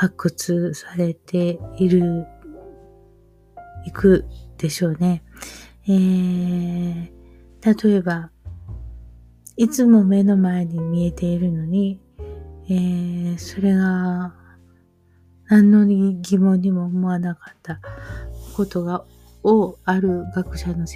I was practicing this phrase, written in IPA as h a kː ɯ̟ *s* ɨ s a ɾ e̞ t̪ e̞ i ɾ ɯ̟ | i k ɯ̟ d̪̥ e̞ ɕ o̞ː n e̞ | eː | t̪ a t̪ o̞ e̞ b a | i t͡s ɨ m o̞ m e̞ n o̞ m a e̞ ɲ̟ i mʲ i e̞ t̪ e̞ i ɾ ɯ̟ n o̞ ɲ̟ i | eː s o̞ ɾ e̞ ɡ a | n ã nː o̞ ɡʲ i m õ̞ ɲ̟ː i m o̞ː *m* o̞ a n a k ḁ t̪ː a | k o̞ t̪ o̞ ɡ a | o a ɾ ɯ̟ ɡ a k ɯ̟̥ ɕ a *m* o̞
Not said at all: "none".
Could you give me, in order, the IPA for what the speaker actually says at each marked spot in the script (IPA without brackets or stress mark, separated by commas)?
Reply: t͡s, m, n